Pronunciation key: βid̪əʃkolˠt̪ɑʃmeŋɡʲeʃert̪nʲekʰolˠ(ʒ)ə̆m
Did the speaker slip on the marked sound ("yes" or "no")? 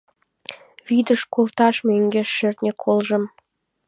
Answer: no